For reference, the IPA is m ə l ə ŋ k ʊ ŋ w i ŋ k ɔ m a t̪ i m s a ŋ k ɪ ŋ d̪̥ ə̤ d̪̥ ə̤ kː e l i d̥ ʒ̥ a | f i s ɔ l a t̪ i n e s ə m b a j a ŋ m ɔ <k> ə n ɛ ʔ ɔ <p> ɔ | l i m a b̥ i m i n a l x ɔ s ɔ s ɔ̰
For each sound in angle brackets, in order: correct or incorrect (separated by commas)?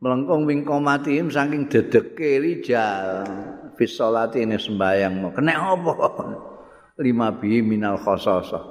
correct, correct